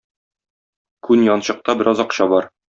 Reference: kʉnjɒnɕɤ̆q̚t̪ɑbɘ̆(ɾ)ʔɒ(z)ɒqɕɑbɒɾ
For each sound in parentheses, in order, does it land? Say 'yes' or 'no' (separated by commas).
yes, yes